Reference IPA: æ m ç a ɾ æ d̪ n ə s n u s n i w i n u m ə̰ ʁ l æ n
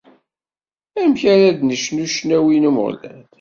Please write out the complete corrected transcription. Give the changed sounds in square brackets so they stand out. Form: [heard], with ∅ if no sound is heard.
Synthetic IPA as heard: æ m ç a ɾ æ d̪ n ə [ʃ] n u [ʃ] n [æ] w i n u m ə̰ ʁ l æ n